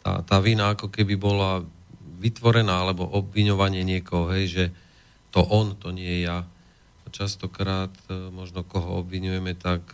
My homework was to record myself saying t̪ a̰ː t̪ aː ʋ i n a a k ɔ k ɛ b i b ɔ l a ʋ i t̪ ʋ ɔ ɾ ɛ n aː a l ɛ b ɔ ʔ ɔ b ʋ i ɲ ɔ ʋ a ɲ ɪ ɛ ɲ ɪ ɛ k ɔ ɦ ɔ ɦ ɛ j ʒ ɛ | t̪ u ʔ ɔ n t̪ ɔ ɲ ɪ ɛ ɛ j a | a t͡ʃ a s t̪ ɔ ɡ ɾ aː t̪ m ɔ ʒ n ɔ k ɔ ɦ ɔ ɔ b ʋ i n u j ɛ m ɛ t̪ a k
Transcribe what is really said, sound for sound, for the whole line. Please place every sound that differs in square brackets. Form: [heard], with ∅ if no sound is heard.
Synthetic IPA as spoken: t̪ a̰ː t̪ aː ʋ i n a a k ɔ k ɛ b i b ɔ l a ʋ i t̪ ʋ ɔ ɾ ɛ n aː a l ɛ b ɔ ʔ ɔ b ʋ i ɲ ɔ ʋ a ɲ ɪ ɛ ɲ ɪ ɛ k ɔ ɦ ɔ ɦ ɛ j ʒ ɛ | t̪ [ɔ] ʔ ɔ n t̪ ɔ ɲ ɪ ɛ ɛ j a | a t͡ʃ a s t̪ ɔ [k] ɾ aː t̪ m ɔ ʒ n ɔ k ɔ ɦ ɔ ɔ b ʋ i [ɲ] u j ɛ m ɛ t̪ a k